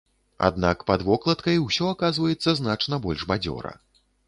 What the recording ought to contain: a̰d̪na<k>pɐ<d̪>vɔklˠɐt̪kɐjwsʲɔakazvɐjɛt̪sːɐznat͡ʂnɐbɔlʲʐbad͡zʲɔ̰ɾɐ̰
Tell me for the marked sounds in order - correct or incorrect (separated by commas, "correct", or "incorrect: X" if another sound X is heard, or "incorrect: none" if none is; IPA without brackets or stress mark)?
correct, correct